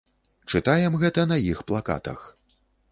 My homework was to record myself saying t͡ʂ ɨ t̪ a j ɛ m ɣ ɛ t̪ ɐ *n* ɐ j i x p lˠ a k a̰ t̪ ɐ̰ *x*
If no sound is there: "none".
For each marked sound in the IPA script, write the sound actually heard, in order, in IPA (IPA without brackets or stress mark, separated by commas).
n, x